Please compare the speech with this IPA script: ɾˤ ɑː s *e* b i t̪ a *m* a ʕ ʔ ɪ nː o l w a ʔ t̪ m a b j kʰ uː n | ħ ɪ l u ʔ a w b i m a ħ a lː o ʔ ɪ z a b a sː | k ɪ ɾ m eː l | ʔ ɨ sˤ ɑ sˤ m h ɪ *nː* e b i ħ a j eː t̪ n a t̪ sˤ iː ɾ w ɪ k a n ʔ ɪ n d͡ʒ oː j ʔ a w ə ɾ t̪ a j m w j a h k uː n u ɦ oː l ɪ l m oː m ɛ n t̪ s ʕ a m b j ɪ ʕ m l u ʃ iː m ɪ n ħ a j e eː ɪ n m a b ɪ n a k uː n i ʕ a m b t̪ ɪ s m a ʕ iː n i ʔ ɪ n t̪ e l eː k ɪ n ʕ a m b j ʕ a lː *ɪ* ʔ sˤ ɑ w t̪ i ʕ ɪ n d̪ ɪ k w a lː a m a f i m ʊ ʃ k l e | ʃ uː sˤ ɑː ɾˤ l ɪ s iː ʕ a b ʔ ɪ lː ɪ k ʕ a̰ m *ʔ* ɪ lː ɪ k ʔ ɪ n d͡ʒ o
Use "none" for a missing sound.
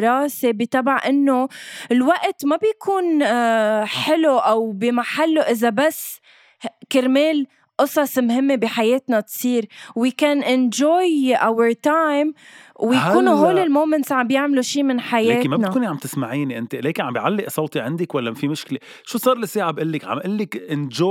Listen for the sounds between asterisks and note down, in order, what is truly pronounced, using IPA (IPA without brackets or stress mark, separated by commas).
e, b, mː, ɪ, ʔ